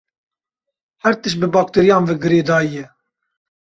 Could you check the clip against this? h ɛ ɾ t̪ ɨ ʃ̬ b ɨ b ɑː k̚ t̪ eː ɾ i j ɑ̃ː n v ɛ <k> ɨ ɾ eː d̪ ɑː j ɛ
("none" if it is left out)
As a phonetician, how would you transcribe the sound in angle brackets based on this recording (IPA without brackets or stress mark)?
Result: ɡ